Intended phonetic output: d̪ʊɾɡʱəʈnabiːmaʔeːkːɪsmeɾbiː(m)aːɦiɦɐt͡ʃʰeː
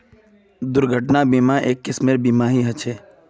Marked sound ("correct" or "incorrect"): correct